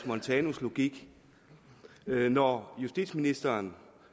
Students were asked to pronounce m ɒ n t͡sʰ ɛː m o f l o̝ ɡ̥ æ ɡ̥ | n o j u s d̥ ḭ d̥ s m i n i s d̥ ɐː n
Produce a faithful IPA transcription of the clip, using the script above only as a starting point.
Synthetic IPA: m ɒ n t͡sʰ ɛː n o s l o̝ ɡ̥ i ɡ̥ | n ɒ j u s d̥ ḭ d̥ s m i n i s d̥ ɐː n